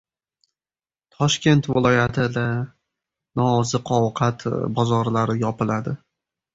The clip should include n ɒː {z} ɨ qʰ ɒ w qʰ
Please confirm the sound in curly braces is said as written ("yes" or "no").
yes